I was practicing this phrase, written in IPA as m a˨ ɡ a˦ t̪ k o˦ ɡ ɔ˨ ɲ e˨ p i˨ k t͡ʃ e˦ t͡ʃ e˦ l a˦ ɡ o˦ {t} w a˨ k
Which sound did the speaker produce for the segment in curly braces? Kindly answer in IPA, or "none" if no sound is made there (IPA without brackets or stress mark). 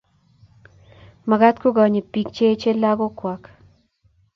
k